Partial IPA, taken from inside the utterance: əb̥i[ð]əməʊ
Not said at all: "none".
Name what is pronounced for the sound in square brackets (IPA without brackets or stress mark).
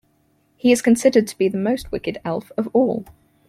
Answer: ð